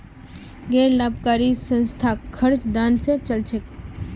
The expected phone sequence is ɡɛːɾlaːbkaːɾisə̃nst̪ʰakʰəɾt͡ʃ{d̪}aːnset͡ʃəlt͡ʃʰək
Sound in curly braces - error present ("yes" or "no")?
no